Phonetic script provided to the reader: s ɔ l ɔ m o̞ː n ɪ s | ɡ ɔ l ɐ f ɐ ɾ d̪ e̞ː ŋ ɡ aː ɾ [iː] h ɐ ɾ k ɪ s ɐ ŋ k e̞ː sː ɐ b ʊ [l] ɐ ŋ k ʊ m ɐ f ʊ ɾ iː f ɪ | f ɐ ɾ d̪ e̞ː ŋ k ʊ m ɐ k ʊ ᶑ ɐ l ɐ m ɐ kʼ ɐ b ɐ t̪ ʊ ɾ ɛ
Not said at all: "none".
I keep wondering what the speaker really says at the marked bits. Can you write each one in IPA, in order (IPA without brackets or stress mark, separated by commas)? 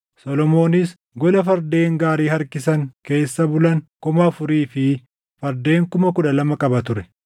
iː, l